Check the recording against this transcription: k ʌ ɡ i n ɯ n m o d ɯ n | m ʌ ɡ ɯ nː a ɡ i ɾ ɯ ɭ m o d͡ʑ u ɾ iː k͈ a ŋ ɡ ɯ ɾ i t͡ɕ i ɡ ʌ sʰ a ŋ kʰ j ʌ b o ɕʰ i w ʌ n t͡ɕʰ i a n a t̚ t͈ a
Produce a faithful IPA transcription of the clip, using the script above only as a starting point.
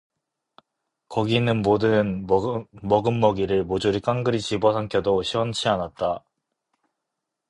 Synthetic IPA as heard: k ʌ ɡ i n ɯ n m o d ɯ n | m ʌ ɡ ɯ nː ʌ ɡ i ɾ ɯ ɭ m o d͡ʑ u ɾ i k͈ a ŋ ɡ ɯ ɾ i t͡ɕ i b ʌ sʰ a ŋ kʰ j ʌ d o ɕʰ i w ʌ n t͡ɕʰ i a n a t̚ t͈ a